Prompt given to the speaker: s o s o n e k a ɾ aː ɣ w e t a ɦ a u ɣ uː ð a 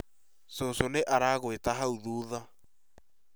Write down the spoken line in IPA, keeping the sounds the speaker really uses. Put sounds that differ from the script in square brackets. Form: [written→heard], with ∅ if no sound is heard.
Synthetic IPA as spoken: s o s o n e [k→ʔ] a ɾ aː ɣ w e t a ɦ a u [ɣ→ð] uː ð a